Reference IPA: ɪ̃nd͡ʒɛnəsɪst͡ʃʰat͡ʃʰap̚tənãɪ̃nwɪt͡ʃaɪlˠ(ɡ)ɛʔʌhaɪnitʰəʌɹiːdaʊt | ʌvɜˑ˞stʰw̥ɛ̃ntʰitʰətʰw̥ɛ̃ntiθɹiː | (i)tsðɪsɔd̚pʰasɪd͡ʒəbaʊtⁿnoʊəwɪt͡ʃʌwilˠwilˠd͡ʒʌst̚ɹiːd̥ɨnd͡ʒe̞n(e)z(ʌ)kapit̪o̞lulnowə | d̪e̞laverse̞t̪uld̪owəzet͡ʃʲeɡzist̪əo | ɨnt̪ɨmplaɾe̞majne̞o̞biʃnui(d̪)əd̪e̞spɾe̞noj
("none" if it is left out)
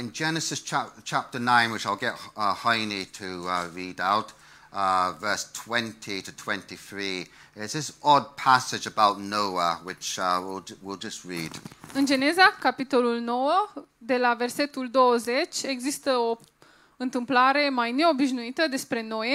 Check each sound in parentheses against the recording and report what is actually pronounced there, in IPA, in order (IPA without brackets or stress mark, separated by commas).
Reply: ɡ, ɪ, e, a, t̪